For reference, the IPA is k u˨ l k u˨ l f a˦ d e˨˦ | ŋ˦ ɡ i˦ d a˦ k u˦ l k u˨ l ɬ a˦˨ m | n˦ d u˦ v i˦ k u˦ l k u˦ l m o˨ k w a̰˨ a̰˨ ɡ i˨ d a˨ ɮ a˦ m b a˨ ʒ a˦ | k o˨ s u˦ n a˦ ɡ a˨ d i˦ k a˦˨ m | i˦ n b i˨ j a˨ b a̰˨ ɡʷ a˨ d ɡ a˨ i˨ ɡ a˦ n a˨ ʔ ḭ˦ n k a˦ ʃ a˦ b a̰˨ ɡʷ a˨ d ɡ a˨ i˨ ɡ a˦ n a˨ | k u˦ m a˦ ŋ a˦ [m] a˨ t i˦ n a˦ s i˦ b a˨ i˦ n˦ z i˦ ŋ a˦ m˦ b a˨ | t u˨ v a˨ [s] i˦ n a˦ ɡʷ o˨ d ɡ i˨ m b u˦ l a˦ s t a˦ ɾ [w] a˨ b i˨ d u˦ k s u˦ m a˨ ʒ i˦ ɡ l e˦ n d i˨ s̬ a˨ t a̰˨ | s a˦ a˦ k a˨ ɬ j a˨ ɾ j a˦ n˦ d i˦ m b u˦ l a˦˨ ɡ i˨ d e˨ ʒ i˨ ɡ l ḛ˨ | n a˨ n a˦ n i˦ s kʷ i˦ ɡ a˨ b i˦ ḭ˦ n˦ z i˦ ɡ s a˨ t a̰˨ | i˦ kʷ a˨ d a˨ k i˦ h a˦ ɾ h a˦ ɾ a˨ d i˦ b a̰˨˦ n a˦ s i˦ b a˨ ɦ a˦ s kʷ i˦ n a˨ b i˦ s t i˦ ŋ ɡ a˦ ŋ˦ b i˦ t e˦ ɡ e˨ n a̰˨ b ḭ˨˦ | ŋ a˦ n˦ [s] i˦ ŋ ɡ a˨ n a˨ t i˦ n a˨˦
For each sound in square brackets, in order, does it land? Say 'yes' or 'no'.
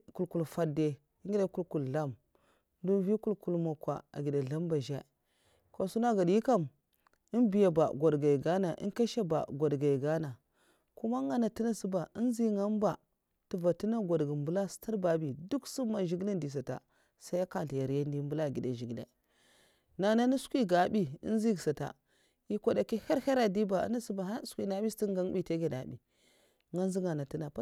no, no, no, no

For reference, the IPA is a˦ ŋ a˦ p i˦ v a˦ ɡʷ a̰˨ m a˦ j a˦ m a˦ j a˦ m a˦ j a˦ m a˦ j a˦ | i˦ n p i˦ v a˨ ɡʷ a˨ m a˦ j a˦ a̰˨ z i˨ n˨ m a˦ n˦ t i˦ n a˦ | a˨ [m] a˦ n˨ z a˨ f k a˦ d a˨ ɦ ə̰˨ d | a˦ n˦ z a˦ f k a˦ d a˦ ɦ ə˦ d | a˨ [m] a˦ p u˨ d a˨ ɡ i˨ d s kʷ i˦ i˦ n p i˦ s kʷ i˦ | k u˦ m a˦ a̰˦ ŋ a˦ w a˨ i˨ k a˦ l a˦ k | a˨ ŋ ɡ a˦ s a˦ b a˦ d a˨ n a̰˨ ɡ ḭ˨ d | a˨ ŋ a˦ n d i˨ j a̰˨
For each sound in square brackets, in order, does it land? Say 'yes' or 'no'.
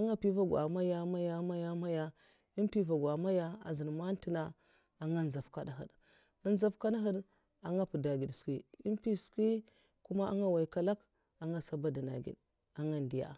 no, no

